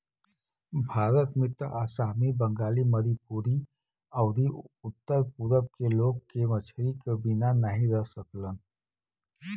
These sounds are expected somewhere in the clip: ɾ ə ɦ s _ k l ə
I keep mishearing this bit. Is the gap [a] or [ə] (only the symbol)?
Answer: ə